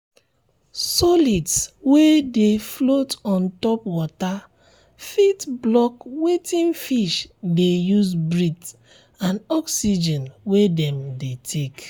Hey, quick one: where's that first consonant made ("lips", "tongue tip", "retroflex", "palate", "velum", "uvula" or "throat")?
tongue tip